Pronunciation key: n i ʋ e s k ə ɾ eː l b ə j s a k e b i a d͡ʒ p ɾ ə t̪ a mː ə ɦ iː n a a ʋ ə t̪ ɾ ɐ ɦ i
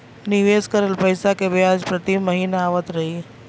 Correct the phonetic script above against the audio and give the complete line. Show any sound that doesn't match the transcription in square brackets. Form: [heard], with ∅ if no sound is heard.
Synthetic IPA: n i ʋ e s k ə ɾ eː l [p] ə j s a k e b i a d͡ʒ p ɾ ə t̪ [i] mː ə ɦ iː n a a ʋ ə t̪ ɾ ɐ ɦ i